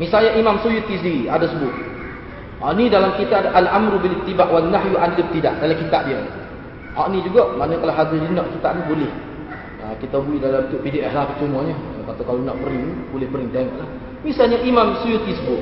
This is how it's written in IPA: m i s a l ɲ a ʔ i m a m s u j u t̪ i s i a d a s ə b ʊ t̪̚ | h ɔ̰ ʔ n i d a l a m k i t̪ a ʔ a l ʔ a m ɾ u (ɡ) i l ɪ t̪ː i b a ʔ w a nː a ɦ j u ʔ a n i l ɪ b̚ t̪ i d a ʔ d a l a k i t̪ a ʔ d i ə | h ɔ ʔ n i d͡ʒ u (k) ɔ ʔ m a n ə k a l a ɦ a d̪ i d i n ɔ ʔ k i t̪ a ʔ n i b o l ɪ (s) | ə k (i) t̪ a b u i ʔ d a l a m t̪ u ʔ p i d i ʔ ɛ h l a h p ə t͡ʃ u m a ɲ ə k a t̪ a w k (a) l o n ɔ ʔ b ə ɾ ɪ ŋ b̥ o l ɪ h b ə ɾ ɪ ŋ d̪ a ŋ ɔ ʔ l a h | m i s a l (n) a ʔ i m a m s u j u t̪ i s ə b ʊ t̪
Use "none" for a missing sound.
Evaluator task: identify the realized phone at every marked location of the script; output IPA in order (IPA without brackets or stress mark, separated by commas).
b, ɡ, h, i, a, ɲ